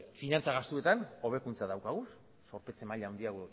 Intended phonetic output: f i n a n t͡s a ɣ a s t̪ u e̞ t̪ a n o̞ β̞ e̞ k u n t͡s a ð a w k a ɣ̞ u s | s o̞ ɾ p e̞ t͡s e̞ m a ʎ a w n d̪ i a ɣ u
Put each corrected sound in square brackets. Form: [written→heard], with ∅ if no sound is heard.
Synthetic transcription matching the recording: f i n a n t͡s a ɣ a s t̪ u e̞ t̪ a n o̞ β̞ e̞ k u n t͡s a ð a w k a ɣ̞ u s | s o̞ ɾ p e̞ t͡s e̞ m a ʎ a w n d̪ i a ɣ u

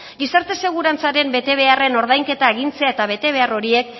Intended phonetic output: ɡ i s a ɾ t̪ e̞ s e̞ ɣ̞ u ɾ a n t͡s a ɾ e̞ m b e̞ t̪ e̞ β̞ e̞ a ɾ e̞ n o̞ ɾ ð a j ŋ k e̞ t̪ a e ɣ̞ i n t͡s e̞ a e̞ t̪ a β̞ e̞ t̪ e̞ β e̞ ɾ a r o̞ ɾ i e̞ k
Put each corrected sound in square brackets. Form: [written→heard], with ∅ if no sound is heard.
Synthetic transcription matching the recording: ɡ i s a ɾ t̪ e̞ s e̞ ɣ̞ u ɾ a n t͡s a ɾ e̞ m b e̞ t̪ e̞ β̞ e̞ a [ɾ→r] e̞ n o̞ ɾ ð a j ŋ k e̞ t̪ a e ɣ̞ i n t͡s e̞ a e̞ t̪ a β̞ e̞ t̪ e̞ β e̞ [ɾ→∅] a r o̞ ɾ i e̞ k

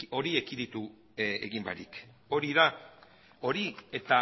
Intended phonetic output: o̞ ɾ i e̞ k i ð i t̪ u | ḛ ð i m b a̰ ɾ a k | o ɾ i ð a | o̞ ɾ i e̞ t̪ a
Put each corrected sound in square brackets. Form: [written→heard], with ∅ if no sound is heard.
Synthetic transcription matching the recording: o̞ ɾ i e̞ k i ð i t̪ u | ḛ [ð→ɣ] i m b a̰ ɾ [a→i] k | o ɾ i ð a | o̞ ɾ i e̞ t̪ a

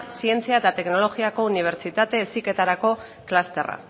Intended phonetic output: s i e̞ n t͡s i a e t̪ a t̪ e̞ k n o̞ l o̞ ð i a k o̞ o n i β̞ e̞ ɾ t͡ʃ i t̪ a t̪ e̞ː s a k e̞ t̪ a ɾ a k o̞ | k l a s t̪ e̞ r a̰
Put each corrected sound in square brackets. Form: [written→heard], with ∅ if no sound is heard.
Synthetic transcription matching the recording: s i e̞ n t͡s i a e t̪ a t̪ e̞ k n o̞ l o̞ [ð→ɣ] i a k o̞ [o→u] n i β̞ e̞ ɾ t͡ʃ i t̪ a t̪ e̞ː s [a→i] k e̞ t̪ a ɾ a k o̞ | k l a s t̪ e̞ r a̰

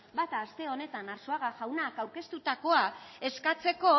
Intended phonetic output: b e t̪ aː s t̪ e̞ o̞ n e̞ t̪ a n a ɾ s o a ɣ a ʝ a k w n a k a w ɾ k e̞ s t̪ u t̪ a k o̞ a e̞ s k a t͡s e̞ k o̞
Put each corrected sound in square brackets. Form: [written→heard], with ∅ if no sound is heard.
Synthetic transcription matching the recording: b [e→a] t̪ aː s t̪ e̞ o̞ n e̞ t̪ a n a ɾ s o a ɣ a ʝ a [k→∅] w n a k a w ɾ k e̞ s t̪ u t̪ a k o̞ a e̞ s k a t͡s e̞ k o̞

